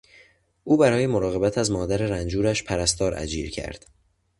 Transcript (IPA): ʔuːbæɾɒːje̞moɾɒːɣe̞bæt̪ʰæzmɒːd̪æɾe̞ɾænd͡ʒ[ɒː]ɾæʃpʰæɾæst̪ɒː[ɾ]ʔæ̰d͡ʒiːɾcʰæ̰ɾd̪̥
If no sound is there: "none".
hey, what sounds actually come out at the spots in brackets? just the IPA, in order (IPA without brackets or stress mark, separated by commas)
uː, ɾ